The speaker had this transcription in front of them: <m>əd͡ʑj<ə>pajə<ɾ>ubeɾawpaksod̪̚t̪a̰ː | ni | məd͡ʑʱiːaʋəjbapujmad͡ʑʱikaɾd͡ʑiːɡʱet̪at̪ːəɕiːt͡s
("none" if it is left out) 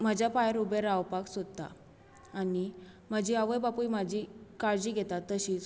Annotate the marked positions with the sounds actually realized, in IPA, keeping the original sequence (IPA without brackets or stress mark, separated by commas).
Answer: m, a, ɾ